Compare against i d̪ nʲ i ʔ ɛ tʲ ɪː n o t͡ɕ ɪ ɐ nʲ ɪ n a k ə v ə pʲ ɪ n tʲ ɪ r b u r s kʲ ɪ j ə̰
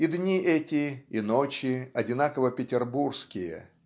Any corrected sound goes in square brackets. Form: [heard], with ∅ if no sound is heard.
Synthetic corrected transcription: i d̪ nʲ i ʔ ɛ tʲ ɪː n o t͡ɕ ɪ ɐ [dʲ] ɪ n a k ə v ə pʲ ɪ [∅] tʲ ɪ r b u r s kʲ ɪ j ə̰